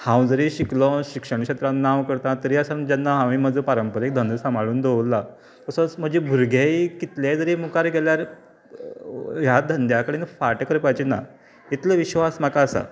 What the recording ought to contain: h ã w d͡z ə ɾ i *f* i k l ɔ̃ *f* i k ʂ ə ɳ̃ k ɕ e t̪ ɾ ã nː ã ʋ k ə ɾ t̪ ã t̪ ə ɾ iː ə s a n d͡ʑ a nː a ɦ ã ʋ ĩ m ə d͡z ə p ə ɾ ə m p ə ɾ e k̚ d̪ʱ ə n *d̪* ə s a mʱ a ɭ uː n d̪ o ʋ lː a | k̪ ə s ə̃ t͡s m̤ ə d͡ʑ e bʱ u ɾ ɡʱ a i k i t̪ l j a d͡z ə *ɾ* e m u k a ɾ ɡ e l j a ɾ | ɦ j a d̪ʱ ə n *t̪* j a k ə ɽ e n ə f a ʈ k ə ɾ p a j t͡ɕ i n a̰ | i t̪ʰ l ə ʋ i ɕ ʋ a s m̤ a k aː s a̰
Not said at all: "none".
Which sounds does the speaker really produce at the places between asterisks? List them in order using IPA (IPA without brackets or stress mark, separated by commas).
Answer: ɕ, ɕ, d̪, ɾ, d̪